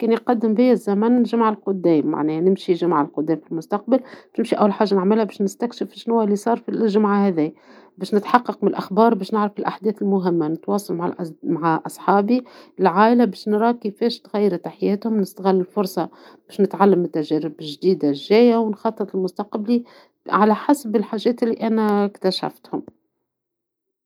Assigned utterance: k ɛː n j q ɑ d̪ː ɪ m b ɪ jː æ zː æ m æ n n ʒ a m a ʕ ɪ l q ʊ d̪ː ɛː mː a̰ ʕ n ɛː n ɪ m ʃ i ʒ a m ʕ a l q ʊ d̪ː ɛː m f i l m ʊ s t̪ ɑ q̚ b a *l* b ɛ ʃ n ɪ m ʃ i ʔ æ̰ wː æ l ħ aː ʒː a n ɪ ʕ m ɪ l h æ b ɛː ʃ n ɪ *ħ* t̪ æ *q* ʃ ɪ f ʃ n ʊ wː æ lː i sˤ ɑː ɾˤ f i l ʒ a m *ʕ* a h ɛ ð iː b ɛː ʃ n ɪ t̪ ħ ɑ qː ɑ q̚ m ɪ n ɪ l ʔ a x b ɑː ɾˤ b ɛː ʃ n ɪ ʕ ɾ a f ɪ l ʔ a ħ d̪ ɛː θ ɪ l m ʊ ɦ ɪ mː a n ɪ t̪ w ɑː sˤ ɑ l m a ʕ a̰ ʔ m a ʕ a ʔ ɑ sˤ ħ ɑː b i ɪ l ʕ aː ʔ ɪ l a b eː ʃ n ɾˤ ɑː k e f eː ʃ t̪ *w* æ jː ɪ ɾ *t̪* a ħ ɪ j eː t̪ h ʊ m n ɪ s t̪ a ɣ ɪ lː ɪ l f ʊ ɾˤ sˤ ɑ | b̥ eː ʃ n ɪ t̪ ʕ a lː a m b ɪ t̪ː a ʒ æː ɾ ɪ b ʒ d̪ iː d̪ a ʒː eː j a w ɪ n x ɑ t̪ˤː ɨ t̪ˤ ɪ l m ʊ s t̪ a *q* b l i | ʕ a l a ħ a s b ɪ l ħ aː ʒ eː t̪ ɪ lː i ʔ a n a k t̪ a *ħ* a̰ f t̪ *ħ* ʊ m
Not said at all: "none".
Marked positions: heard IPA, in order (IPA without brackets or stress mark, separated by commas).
l, s, k, ʕ, ɣ, t̪, q, ʃ, h